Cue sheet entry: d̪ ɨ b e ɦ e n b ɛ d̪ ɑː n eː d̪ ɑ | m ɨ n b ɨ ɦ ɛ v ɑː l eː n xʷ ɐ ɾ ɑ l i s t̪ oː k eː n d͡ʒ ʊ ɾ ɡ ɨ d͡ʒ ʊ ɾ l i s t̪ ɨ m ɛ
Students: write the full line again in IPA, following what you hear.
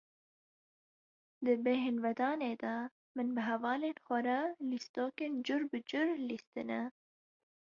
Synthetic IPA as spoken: d̪ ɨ b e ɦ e n v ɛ d̪ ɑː n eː d̪ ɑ | m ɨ n b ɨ ɦ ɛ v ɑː l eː n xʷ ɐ ɾ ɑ l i s t̪ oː k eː n d͡ʒ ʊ ɾ b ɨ d͡ʒ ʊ ɾ l i s t̪ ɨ n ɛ